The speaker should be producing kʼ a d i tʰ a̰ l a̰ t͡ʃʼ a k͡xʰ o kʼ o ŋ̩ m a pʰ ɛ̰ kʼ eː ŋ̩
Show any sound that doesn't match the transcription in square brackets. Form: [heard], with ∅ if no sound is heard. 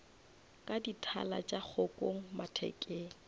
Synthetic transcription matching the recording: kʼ a d i tʰ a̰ l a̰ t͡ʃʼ a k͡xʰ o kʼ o ŋ̩ m a [tʰ] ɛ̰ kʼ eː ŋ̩